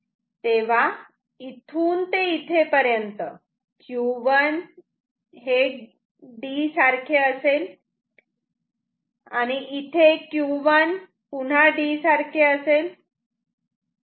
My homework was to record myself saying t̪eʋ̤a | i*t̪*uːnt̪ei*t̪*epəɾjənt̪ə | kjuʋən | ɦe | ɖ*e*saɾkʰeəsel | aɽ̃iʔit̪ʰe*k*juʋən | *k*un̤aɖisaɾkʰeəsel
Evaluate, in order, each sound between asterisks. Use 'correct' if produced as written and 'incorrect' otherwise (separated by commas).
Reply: incorrect, incorrect, incorrect, correct, incorrect